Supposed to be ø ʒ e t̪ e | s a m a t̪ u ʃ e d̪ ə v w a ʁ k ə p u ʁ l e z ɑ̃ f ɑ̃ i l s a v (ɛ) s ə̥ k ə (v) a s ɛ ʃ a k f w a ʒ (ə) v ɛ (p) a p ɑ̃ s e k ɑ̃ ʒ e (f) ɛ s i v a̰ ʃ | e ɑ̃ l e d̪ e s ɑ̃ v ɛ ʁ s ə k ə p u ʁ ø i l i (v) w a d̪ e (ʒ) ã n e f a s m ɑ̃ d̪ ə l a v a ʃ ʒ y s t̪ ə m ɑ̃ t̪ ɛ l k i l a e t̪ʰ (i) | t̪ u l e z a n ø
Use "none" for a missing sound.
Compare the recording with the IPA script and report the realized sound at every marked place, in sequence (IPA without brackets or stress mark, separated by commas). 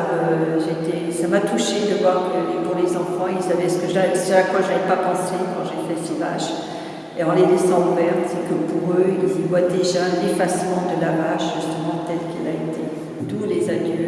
ɛ, ʒ, a, p, f, v, ʒ, e